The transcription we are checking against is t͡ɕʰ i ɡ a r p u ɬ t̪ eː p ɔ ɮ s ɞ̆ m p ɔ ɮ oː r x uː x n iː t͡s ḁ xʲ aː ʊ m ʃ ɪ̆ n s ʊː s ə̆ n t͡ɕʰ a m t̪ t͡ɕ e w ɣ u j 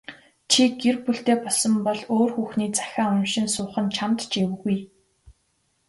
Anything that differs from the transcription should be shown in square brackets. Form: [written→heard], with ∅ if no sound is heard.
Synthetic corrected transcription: t͡ɕʰ i ɡ [a→e] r p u ɬ t̪ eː p ɔ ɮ s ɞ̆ m p ɔ ɮ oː r x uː x n iː t͡s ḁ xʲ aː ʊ m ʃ ɪ̆ n s ʊː [s→χ] ə̆ n t͡ɕʰ a m t̪ t͡ɕ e w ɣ u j